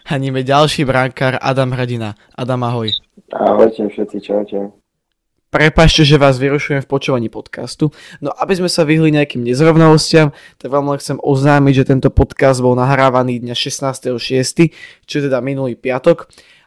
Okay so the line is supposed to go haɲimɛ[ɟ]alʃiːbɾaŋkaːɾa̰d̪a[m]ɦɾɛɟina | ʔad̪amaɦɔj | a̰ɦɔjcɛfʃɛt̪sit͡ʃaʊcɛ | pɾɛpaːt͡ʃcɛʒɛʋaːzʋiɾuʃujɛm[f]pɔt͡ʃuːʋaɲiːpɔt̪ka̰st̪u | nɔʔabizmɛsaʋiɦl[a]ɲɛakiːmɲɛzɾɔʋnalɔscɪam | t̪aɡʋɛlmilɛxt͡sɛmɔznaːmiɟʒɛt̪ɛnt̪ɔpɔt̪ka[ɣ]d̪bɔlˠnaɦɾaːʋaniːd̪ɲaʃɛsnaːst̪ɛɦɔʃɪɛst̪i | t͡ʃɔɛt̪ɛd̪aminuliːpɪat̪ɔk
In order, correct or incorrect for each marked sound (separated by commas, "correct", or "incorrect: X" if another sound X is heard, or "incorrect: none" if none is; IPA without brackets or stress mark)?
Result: correct, correct, correct, incorrect: i, incorrect: z